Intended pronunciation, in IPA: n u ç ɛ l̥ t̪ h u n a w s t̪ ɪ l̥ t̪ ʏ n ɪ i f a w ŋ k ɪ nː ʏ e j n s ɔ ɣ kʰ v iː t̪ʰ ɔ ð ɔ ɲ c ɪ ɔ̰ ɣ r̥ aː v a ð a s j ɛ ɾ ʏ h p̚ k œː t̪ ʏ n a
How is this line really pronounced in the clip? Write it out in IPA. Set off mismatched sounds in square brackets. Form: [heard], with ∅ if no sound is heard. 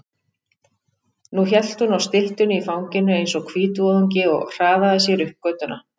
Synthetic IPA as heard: n u ç ɛ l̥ t̪ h u n a w s t̪ ɪ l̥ t̪ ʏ n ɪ i f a w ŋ [c] ɪ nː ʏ e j n s ɔ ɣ kʰ v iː [t̪] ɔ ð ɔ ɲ c ɪ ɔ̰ ɣ r̥ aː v a ð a s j ɛ ɾ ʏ h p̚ k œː t̪ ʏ n a